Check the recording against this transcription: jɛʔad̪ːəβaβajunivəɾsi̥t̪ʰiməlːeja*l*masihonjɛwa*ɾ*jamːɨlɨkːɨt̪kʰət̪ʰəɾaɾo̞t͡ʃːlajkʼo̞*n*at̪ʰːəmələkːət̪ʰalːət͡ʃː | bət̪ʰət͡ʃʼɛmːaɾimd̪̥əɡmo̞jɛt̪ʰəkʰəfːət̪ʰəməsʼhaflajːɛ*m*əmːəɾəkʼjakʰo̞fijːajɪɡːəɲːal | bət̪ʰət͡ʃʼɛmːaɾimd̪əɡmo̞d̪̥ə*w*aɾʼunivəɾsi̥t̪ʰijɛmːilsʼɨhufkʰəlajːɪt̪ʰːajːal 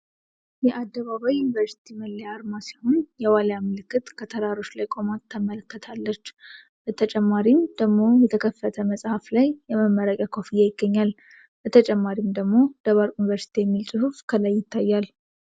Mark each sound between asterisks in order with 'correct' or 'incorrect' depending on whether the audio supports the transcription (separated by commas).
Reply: incorrect, incorrect, incorrect, correct, incorrect